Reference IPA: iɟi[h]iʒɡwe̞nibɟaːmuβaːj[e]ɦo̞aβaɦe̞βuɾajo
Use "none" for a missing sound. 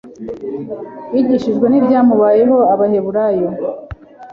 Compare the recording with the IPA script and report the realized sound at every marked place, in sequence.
ʃ, e

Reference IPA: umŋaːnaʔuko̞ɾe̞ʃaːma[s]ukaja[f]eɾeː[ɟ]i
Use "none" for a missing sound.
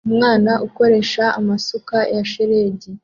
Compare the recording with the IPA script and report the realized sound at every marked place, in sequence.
s, ʃ, ɟ

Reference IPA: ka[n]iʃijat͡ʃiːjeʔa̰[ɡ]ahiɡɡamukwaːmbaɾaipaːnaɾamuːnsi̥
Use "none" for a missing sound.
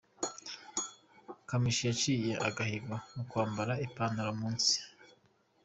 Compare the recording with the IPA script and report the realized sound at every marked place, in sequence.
m, ɡ

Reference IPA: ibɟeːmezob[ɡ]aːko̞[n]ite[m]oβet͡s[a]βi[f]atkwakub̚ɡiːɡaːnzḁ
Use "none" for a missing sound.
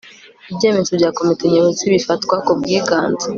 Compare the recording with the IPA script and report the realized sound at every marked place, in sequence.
ɟ, m, ɲ, i, f

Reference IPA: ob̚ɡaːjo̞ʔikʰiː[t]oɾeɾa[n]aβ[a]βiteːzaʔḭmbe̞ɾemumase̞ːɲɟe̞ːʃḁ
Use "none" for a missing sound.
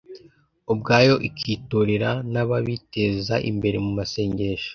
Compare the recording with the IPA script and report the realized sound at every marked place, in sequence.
t, n, a

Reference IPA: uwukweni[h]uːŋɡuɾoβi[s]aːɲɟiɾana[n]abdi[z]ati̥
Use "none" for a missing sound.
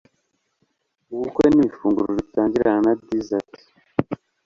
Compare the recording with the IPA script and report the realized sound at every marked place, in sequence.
f, t, n, z

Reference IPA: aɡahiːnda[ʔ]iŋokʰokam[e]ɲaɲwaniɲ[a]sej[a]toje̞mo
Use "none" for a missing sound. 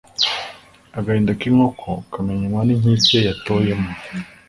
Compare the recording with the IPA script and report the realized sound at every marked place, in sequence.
k, e, i, a

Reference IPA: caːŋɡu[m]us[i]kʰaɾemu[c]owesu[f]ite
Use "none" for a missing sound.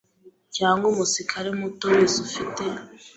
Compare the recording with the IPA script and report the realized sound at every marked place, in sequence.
m, i, t, f

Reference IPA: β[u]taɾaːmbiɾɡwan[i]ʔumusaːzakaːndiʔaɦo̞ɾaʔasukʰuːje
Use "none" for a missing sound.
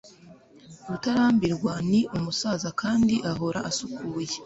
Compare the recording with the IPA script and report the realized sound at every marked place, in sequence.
u, i

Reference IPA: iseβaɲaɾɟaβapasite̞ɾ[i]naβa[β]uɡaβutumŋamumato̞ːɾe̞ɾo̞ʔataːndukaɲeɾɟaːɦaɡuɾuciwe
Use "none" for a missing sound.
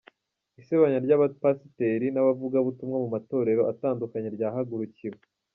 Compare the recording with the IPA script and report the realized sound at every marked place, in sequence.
i, v

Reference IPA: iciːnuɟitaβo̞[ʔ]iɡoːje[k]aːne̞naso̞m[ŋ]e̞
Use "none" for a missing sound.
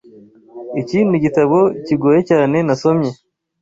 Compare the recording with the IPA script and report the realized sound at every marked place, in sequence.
c, c, ɲ

